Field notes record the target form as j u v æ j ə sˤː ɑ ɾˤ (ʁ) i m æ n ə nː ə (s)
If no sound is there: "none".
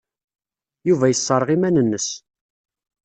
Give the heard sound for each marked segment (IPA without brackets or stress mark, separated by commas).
ʁ, s